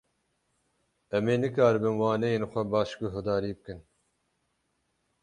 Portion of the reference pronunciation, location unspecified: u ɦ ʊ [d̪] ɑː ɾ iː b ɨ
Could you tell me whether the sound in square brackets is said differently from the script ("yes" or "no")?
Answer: no